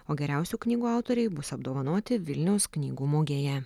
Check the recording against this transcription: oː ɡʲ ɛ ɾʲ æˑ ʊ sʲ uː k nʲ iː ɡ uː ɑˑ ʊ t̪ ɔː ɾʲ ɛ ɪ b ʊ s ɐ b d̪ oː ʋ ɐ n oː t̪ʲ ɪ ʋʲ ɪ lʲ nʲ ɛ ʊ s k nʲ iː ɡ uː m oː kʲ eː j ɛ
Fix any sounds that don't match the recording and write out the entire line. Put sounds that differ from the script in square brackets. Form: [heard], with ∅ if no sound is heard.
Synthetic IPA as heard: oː ɡʲ ɛ ɾʲ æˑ ʊ sʲ uː k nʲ iː ɡ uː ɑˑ ʊ t̪ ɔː ɾʲ ɛ ɪ b ʊ s ɐ b d̪ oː ʋ ɐ n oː t̪ʲ ɪ ʋʲ ɪ lʲ nʲ ɛ ʊ s k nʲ iː ɡ uː m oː [ɡʲ] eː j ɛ